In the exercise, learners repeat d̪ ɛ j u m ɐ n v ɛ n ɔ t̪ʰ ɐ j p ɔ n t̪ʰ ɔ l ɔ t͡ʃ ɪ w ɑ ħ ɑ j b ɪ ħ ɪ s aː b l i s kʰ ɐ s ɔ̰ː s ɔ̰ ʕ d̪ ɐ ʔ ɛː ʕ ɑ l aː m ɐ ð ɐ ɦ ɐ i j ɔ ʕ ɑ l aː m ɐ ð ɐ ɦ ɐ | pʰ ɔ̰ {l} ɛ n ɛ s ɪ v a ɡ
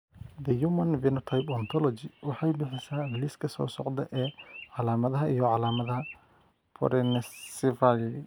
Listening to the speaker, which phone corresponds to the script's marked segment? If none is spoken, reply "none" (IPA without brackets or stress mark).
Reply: ɾ